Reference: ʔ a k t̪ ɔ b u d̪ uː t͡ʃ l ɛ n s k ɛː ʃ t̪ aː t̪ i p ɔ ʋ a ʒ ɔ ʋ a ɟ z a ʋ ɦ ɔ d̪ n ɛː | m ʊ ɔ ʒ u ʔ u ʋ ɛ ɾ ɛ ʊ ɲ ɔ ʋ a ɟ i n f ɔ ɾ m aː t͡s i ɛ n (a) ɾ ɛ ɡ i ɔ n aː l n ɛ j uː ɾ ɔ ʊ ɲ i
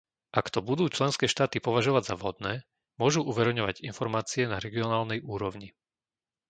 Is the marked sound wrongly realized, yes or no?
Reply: no